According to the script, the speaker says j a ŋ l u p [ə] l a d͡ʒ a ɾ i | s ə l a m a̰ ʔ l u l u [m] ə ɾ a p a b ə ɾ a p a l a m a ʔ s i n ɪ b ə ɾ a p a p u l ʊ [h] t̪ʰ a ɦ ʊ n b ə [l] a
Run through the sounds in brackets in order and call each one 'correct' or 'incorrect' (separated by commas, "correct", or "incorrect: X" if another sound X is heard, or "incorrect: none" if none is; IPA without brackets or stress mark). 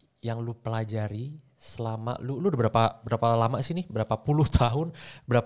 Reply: correct, incorrect: b, correct, incorrect: ɾ